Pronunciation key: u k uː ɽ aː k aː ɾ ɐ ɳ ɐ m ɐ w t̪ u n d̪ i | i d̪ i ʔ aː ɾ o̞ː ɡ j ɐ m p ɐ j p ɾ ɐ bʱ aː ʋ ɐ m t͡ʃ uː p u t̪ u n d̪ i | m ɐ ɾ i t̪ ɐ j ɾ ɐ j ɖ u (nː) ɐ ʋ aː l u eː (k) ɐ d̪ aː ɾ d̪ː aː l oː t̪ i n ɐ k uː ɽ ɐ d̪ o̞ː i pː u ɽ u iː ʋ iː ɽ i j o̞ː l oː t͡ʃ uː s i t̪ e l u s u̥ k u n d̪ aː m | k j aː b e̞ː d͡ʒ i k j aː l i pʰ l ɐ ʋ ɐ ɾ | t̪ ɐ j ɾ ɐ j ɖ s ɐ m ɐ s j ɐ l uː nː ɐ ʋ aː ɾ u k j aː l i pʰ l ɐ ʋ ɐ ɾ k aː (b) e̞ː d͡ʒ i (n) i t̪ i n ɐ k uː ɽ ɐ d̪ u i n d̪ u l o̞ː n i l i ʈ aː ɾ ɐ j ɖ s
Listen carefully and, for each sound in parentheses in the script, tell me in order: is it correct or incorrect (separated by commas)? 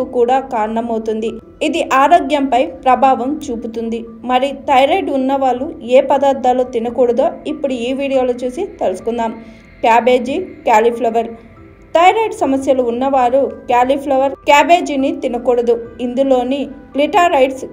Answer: correct, incorrect, correct, correct